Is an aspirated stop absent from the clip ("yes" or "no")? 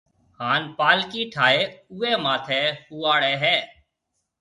no